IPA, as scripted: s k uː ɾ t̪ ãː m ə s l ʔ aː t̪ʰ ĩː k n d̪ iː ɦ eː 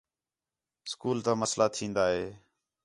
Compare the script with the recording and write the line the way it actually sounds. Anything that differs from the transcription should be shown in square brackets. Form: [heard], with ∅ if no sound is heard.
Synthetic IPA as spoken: s k uː [l] t̪ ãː m ə s l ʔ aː t̪ʰ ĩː [∅] n d̪ [aː] ɦ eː